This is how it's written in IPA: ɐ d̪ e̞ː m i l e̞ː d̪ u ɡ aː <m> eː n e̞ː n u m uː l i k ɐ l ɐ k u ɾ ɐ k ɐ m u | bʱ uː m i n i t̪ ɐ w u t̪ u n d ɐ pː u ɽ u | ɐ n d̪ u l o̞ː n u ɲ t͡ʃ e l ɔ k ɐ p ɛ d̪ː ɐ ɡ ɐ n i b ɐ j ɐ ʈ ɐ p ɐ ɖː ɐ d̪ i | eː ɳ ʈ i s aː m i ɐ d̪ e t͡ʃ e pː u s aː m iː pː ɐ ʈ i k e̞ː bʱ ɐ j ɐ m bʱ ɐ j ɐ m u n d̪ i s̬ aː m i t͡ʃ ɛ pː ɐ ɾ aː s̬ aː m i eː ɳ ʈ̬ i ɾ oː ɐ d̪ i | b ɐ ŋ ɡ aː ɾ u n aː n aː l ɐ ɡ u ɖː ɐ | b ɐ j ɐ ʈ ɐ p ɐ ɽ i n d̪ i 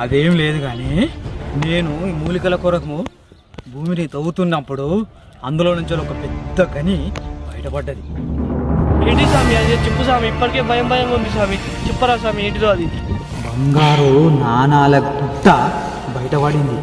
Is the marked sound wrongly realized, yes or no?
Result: yes